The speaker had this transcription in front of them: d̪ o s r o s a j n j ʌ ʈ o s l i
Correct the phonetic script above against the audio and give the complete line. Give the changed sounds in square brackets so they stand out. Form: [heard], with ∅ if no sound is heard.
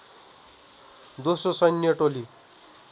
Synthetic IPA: d̪ o s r o s [ʌ] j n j ʌ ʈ o [∅] l i